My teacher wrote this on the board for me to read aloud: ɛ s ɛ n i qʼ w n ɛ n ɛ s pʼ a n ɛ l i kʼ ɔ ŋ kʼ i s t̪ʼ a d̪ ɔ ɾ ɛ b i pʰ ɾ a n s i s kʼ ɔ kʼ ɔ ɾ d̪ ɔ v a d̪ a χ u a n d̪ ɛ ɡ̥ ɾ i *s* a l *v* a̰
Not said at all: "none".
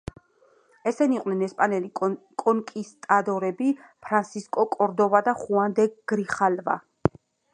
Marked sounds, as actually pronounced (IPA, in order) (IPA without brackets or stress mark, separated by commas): χ, v